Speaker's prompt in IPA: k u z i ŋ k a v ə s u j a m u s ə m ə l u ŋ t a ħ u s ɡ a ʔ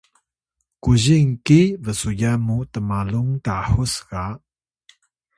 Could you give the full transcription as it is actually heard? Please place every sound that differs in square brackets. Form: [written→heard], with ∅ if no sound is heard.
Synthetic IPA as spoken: k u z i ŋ k [a→i] v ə s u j a m u [s→t] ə m [ə→a] l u ŋ t a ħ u s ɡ a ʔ

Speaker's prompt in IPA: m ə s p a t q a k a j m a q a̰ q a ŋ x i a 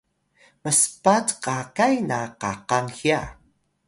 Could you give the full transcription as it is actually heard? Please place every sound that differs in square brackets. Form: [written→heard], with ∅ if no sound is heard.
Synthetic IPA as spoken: m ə s p a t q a k a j [m→n] a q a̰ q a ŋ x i a

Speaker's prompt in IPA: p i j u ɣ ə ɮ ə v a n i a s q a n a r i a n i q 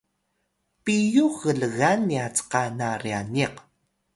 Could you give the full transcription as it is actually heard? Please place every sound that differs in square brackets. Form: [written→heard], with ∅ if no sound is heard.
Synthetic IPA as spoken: p i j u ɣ ə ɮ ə [v→ɣ] a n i a [s→t͡s] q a n a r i a n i q

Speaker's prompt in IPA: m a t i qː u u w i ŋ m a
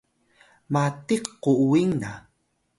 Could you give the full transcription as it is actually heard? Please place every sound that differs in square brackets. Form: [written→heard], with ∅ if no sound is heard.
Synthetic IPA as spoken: m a t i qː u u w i ŋ [m→n] a

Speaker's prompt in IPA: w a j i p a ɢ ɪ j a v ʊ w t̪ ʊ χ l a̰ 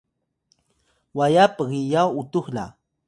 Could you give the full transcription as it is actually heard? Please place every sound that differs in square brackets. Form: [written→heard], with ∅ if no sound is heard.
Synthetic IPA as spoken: w a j [i→a] p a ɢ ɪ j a [v→w] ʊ [w→∅] t̪ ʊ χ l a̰

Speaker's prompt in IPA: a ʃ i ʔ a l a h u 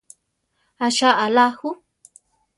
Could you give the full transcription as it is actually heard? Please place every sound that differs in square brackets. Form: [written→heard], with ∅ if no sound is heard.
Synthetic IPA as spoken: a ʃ [i→a] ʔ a l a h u

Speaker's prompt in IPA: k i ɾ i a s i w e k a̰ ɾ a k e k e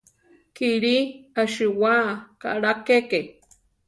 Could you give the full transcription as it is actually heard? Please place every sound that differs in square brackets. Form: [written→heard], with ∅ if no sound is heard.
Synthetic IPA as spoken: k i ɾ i a [s→ʃ] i w [e→a] k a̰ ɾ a k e k e

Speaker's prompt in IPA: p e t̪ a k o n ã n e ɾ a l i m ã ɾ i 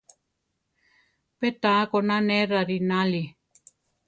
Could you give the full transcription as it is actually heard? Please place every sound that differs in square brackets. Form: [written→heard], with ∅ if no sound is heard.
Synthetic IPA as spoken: p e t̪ a k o n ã n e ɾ a [l→ɾ] i [m→n] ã [ɾ→l] i

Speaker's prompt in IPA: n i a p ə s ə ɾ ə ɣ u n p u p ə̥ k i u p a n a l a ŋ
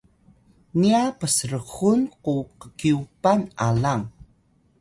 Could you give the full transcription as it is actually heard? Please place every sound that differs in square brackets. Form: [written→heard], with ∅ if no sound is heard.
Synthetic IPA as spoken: n i a p ə s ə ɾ ə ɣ u n [p→q] u [p→q] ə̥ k i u p a n a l a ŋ

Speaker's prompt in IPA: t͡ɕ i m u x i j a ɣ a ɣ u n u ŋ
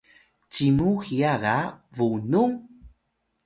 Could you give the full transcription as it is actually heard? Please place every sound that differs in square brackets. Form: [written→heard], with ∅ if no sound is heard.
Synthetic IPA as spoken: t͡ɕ i m u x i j a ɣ a [ɣ→v] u n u ŋ

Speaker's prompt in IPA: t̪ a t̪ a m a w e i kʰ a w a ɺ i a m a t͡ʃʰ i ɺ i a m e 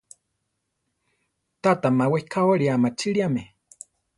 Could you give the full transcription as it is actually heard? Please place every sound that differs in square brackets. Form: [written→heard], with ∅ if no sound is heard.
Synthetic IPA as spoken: t̪ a t̪ a m a w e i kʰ a w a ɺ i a m a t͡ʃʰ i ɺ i a m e

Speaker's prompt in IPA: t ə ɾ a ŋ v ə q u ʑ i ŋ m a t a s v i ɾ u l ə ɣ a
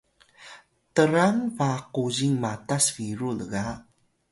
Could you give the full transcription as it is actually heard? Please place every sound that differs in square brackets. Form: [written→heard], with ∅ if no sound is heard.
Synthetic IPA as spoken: t ə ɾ a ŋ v [ə→a] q u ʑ i ŋ m a t a s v i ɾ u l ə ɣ a

